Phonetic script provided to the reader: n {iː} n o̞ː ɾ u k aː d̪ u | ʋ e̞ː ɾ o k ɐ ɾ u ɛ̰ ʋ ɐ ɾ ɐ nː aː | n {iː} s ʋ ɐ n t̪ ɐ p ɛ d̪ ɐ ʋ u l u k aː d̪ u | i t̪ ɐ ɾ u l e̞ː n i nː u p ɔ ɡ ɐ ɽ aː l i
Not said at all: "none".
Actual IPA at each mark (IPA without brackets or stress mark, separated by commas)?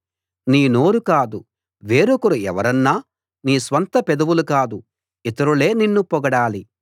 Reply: iː, iː